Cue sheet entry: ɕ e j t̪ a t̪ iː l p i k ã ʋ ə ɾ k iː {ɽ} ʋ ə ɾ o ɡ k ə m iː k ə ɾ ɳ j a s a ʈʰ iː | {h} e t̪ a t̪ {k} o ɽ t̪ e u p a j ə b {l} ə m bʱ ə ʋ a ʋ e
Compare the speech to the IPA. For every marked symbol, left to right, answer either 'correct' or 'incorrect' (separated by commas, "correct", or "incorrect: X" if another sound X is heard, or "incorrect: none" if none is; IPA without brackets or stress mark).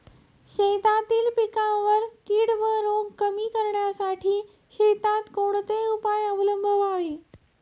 correct, incorrect: ɕ, correct, correct